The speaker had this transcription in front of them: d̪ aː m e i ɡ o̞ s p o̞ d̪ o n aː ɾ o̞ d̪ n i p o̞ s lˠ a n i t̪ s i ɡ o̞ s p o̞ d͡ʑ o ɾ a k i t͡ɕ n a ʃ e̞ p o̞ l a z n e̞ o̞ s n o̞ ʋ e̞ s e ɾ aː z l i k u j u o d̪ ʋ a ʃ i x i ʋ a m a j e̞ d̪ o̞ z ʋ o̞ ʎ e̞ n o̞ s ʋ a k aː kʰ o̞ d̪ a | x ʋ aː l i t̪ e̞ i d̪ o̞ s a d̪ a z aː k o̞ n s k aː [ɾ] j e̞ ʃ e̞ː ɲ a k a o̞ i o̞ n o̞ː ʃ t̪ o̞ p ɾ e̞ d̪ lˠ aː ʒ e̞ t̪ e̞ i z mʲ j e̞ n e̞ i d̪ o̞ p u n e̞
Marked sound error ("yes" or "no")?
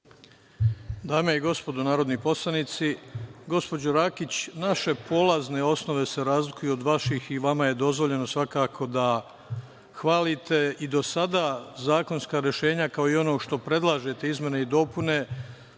no